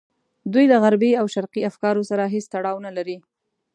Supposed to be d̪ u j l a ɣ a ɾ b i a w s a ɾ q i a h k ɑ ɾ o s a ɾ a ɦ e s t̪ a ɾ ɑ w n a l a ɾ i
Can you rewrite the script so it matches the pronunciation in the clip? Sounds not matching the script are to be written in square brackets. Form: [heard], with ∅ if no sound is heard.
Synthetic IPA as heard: d̪ u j l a ɣ a ɾ b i a w [ʃ] a ɾ q i a [f] k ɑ ɾ o s a ɾ a ɦ e s t̪ a [ɽ] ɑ w n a l a ɾ i